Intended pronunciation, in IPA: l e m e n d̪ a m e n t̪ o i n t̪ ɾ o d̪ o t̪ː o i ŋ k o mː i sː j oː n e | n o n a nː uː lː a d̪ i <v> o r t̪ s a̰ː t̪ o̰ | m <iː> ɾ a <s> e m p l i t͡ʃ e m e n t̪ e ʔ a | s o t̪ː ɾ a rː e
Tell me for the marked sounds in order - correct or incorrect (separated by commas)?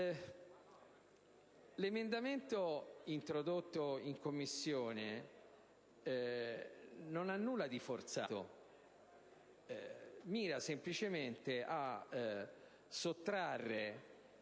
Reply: incorrect, correct, correct